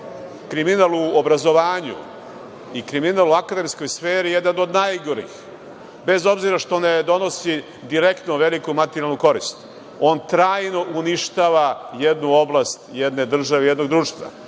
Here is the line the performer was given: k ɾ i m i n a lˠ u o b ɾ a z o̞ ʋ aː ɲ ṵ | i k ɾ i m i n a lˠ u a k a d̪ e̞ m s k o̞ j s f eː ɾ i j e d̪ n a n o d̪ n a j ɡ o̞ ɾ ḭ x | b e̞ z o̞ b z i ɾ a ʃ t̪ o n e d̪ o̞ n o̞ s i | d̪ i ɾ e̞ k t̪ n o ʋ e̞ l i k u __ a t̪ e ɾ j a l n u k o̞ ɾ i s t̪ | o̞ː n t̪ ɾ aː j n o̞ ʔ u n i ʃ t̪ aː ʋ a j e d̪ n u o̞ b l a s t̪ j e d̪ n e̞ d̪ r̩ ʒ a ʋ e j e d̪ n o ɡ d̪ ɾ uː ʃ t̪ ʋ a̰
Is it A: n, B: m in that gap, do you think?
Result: B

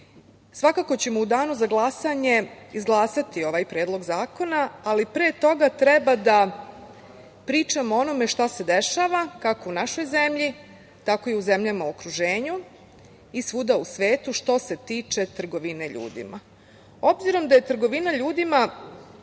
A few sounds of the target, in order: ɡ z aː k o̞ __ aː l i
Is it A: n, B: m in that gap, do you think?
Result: A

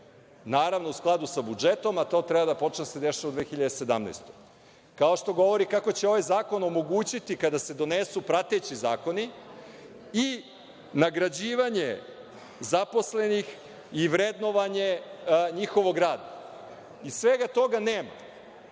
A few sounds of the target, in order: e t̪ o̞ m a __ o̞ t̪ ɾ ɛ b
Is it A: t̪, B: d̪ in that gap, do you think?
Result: A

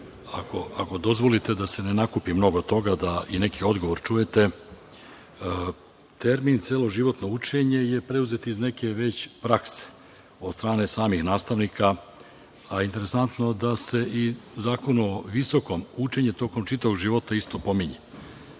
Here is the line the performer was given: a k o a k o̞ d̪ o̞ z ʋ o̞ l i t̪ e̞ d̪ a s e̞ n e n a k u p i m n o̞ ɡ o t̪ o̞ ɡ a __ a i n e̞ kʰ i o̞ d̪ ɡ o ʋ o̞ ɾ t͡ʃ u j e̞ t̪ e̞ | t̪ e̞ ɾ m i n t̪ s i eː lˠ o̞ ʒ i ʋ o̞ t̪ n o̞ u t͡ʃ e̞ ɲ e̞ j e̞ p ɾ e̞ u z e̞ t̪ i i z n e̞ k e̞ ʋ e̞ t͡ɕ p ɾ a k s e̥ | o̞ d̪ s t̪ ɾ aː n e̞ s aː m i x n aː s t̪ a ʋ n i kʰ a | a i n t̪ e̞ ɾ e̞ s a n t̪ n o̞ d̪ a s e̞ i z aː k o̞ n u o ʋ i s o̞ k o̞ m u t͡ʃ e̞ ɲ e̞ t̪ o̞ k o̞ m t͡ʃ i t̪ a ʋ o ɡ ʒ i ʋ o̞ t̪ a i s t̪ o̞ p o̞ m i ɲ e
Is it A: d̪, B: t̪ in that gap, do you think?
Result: A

